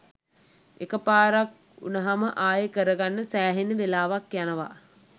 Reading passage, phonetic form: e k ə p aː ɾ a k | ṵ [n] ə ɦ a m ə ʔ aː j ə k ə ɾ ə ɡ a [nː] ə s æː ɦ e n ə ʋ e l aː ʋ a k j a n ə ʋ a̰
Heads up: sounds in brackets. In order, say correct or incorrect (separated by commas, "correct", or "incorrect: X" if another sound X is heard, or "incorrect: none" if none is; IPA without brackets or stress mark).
correct, correct